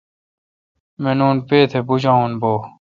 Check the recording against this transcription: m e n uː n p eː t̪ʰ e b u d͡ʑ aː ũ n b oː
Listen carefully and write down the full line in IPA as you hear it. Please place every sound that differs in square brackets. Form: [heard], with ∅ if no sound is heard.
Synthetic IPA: m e n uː n p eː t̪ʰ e b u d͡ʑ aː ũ n b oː